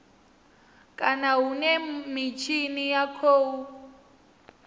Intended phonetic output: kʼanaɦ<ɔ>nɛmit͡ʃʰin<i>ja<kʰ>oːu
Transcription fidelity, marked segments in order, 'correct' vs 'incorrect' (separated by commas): incorrect, correct, correct